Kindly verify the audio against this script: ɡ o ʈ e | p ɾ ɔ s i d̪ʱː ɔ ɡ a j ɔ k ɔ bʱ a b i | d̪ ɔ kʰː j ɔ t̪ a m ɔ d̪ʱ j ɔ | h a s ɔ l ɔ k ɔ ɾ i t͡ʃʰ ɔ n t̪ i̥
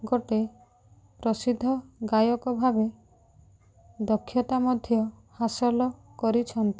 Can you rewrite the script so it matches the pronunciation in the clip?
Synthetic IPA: ɡ o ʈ e | p ɾ ɔ s i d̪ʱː ɔ ɡ a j ɔ k ɔ bʱ a b e | d̪ ɔ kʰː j ɔ t̪ a m ɔ d̪ʱ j ɔ | h a s ɔ l ɔ k ɔ ɾ i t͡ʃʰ ɔ n t̪ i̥